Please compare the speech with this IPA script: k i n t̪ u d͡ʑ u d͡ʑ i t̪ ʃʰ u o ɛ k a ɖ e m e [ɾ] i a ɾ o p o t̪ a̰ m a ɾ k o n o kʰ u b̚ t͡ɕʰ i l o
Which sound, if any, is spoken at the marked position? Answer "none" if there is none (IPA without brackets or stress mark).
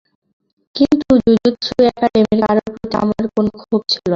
ɾ